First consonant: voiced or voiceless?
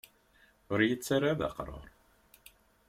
voiced